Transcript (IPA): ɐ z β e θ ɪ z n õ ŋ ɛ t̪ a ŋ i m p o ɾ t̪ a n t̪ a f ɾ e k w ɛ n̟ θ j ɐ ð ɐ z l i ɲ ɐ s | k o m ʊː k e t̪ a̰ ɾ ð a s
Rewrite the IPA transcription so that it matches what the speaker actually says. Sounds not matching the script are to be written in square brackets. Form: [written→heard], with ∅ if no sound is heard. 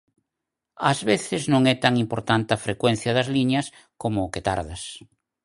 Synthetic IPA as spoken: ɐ z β e θ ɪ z n õ ŋ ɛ t̪ a ŋ i m p o ɾ t̪ a n t̪ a f ɾ e k w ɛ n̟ θ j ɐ ð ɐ z l i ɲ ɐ s | k o m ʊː k e t̪ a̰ ɾ ð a s